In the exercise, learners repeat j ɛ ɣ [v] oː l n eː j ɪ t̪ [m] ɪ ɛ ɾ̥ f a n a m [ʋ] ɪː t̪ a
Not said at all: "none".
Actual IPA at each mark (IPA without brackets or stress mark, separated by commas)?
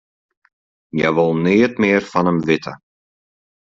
v, m, v